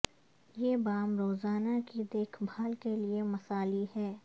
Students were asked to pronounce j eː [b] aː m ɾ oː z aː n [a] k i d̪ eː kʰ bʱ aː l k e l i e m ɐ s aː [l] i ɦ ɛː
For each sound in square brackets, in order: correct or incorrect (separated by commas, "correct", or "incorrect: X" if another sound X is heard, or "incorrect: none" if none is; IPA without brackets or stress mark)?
correct, correct, correct